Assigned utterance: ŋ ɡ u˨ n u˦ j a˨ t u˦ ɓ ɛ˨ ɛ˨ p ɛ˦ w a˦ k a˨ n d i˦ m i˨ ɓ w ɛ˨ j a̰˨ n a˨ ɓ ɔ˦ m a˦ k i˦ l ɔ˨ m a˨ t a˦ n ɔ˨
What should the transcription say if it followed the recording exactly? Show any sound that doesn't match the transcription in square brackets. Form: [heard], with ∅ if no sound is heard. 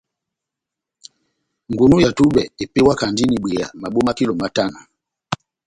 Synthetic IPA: ŋ ɡ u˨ n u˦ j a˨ t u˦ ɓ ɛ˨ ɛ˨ p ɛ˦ w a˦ k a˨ n d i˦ [n] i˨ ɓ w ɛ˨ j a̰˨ [m] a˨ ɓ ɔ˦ m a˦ k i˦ l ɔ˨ m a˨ t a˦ n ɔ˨